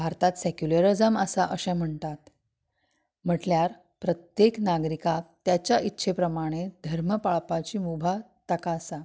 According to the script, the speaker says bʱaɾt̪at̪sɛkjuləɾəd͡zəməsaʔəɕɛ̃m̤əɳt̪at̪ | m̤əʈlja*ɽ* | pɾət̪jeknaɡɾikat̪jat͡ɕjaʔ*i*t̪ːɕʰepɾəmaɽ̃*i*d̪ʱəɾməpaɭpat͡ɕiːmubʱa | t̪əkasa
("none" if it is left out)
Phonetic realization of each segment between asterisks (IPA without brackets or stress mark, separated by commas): ɾ, i, e